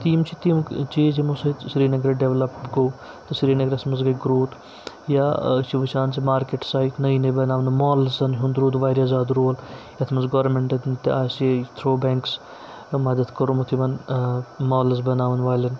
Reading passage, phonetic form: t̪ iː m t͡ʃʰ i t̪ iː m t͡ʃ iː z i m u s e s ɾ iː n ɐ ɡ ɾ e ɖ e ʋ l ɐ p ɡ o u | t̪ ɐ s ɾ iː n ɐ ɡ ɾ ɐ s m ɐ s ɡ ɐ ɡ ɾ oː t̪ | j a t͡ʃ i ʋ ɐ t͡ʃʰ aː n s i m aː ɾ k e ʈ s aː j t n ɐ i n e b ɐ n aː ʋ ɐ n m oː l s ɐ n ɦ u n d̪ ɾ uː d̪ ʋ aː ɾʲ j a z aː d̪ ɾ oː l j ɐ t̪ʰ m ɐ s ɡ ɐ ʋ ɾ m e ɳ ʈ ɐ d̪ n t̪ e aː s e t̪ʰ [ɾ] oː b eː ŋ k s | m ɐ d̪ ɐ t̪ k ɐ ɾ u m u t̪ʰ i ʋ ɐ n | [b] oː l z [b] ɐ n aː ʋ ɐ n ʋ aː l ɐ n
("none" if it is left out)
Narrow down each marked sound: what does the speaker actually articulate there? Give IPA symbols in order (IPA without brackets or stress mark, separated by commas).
ɾ, m, b